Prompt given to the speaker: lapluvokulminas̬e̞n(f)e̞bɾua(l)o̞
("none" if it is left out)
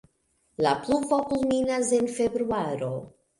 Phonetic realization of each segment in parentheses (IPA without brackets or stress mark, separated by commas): f, ɾ